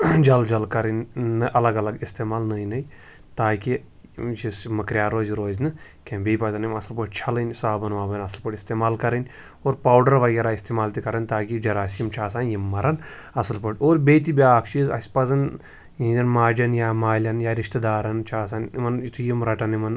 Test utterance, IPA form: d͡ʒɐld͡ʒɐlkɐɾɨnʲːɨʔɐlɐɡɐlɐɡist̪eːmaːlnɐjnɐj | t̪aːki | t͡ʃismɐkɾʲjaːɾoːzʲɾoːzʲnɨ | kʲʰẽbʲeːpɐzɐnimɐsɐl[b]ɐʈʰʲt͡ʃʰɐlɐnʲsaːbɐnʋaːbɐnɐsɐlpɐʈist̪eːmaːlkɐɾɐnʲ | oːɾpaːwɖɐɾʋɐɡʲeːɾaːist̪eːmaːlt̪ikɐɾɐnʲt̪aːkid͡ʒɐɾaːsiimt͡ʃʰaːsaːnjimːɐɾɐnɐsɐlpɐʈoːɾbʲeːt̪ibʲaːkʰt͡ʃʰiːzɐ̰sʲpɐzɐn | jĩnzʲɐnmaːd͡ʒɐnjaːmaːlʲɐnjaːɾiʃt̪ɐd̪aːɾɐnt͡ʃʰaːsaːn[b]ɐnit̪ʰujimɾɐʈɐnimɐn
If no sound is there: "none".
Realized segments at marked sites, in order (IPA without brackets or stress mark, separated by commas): p, m